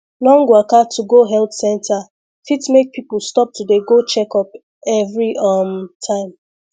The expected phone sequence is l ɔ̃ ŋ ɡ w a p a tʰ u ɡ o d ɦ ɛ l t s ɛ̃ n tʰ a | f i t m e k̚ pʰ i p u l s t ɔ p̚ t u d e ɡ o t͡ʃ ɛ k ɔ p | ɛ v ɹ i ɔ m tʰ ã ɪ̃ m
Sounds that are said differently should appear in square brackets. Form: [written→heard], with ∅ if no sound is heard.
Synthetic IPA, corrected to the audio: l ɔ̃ ŋ ɡ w a [p→k] a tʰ u ɡ o [d→∅] ɦ ɛ l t s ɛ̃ n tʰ a | f i t m e k̚ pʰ i p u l s t ɔ p̚ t u d e ɡ o t͡ʃ ɛ k ɔ p | ɛ v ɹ i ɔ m tʰ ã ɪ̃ m